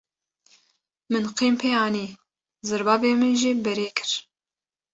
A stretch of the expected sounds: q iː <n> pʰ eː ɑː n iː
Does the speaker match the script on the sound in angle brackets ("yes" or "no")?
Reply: no